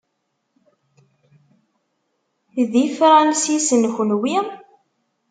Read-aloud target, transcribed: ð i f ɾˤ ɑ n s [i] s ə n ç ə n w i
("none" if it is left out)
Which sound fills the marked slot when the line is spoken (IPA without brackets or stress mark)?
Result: i